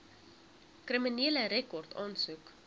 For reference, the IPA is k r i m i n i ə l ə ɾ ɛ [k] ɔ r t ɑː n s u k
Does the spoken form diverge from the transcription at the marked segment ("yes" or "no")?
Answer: no